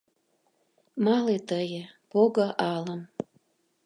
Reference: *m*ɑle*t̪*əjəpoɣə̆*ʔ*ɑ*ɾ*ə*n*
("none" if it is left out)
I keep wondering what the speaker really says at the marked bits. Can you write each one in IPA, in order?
m, t̪, ʔ, l, m

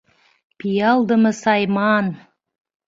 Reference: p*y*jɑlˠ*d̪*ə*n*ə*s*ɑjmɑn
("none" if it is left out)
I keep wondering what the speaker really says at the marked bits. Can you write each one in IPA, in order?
i, d̪, m, s

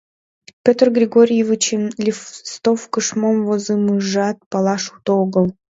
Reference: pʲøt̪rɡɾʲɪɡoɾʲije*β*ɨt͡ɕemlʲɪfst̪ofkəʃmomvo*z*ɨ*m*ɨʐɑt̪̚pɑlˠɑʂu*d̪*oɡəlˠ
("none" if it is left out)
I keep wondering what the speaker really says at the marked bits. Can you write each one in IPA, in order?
v, z, m, t̪

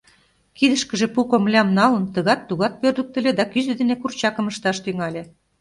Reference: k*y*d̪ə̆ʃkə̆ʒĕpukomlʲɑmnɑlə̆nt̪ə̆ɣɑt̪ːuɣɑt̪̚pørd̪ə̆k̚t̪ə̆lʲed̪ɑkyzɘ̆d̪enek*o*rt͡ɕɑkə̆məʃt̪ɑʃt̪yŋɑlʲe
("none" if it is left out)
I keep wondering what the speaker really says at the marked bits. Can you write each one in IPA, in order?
i, u

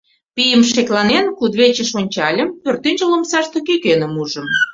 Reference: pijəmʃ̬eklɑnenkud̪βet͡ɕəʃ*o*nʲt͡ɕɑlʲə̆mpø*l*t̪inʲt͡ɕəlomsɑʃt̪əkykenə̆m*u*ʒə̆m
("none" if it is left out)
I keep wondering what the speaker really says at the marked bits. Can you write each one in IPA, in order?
o, r, u

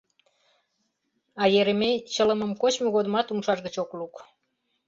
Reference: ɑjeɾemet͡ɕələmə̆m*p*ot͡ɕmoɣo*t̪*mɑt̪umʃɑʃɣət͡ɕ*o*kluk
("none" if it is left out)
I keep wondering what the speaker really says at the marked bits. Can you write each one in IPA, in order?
k, d̪, o

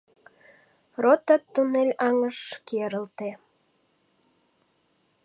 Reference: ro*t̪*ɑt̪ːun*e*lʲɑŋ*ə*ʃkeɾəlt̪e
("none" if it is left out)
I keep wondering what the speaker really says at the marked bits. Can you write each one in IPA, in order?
t̪, e, ə

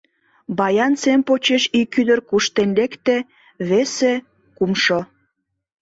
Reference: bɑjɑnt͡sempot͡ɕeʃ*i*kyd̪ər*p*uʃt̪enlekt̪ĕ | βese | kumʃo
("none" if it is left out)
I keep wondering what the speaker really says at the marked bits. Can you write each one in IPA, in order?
i, k

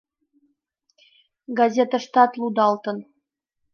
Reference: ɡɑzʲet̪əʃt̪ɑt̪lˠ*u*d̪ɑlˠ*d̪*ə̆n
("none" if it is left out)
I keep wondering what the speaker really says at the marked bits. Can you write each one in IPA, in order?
u, t̪

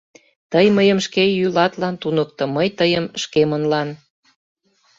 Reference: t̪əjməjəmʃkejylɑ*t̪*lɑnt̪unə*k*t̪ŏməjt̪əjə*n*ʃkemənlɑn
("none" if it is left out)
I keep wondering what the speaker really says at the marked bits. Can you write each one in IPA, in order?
t̪, k, m

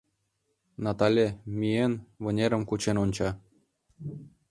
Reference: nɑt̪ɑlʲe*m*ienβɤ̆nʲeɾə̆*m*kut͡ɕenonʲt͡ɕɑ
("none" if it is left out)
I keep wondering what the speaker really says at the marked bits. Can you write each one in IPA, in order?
m, m

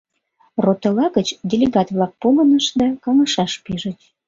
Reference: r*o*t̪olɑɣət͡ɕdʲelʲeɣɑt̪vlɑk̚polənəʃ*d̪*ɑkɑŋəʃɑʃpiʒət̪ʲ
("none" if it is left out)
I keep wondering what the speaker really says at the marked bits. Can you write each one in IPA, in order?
o, d̪

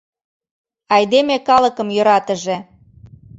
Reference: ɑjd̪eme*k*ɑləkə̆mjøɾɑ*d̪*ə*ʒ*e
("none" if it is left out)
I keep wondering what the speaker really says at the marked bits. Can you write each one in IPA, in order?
k, t̪, ʒ

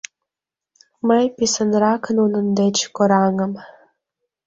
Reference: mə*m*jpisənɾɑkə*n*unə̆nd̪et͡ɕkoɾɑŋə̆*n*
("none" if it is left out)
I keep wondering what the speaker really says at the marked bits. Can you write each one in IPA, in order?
none, n, m

